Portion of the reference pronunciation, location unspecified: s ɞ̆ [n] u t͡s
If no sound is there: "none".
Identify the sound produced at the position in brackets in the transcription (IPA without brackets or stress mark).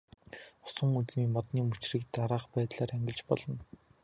ŋ